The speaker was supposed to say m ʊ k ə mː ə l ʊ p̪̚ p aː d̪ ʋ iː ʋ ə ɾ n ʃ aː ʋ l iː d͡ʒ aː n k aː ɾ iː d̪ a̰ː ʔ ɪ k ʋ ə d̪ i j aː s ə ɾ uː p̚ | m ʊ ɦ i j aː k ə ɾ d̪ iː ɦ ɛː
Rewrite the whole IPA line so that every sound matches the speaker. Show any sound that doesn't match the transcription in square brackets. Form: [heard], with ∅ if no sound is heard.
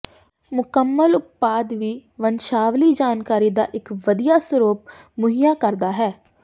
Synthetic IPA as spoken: m ʊ k ə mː ə l ʊ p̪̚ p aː d̪ ʋ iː ʋ ə [∅] n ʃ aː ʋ l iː d͡ʒ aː n k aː ɾ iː d̪ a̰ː ʔ ɪ k ʋ ə d̪ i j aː s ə ɾ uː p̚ | m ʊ ɦ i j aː k ə ɾ d̪ [aː] ɦ ɛː